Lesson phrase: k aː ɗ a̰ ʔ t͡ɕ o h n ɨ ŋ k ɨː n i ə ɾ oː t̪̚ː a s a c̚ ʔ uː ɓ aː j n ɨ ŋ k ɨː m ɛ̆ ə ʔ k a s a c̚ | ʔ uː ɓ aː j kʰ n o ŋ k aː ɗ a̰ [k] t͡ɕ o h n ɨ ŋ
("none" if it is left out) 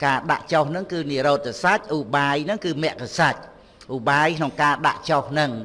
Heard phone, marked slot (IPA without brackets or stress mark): ʔ